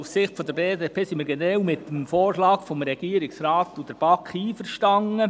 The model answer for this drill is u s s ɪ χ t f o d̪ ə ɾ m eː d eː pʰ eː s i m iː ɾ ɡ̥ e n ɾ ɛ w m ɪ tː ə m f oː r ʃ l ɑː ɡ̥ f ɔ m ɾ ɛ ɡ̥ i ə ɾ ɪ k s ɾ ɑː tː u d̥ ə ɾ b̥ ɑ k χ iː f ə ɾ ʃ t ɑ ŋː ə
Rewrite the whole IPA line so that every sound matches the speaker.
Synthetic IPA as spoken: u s s ɪ χ t f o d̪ ə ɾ b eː d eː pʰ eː s i m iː ɾ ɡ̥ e n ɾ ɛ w m ɪ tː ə m f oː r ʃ l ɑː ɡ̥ f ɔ m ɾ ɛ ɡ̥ i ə ɾ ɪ k s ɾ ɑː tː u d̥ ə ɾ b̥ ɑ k χ iː f ə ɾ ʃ t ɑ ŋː ə